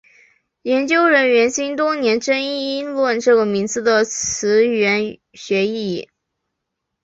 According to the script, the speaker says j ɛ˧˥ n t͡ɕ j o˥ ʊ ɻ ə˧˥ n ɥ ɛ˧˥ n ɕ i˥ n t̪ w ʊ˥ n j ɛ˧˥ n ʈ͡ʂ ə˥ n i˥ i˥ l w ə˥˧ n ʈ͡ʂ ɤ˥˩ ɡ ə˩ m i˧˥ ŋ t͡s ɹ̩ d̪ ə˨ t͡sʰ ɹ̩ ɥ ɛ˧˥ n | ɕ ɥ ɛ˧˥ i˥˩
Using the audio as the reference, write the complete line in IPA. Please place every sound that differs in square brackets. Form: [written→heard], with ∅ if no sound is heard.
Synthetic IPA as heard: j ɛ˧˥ n t͡ɕ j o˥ ʊ ɻ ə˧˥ n ɥ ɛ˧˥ n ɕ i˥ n t̪ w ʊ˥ n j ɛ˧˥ n ʈ͡ʂ ə˥ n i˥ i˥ l w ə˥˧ n ʈ͡ʂ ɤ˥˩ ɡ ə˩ m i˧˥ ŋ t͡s ɹ̩ d̪ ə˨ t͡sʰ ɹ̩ ɥ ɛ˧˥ n | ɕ ɥ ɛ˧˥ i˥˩